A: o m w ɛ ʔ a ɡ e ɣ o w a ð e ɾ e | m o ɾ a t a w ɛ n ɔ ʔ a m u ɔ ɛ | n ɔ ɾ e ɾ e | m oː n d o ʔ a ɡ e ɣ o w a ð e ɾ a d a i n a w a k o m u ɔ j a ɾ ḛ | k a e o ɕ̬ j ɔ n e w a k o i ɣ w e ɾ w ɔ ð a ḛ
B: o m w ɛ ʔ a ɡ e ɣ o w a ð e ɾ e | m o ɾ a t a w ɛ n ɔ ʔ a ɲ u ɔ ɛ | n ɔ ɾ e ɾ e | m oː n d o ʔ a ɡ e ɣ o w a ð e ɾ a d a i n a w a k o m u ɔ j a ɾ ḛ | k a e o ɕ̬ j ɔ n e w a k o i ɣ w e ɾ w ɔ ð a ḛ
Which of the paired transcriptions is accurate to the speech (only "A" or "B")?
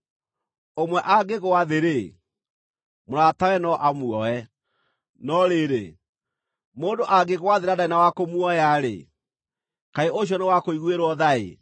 A